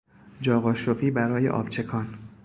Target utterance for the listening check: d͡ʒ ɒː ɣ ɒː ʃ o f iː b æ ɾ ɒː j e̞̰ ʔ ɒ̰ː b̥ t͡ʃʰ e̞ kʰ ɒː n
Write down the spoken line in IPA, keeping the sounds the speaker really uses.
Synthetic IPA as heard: d͡ʒ ɒː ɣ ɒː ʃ o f iː b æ ɾ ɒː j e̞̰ ʔ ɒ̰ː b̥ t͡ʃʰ e̞ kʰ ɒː n